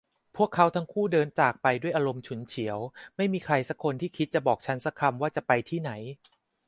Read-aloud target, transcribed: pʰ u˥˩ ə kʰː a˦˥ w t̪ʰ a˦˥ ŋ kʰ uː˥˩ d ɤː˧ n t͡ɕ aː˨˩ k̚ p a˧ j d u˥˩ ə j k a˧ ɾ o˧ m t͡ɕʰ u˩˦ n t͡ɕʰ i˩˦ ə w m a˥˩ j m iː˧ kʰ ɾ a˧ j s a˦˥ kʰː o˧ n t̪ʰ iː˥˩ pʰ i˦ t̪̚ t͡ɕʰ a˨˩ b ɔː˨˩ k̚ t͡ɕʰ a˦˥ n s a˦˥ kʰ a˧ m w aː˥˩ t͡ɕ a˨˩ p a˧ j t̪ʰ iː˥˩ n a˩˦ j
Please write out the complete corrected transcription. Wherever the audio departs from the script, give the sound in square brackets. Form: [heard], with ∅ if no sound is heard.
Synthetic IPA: pʰ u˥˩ ə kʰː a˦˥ w t̪ʰ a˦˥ ŋ kʰ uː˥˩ d ɤː˧ n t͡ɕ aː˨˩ k̚ p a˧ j d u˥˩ ə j [ʔ] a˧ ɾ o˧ m t͡ɕʰ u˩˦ n t͡ɕʰ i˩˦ ə w m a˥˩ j m iː˧ kʰ ɾ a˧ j s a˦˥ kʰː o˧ n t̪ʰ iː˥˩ [kʰ] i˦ t̪̚ [t͡ɕ] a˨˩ b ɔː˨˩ k̚ t͡ɕʰ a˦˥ n s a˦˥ kʰ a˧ m w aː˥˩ t͡ɕ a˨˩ p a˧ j t̪ʰ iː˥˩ n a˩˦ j